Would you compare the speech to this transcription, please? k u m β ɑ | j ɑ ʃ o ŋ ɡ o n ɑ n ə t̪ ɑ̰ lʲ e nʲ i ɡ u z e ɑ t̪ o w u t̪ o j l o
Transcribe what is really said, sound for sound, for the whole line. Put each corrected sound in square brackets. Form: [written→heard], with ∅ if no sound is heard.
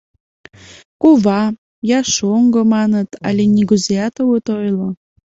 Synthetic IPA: k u [m→∅] β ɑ | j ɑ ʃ o ŋ ɡ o [n→m] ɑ n ə t̪ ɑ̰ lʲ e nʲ i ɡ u z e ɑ t̪ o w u t̪ o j l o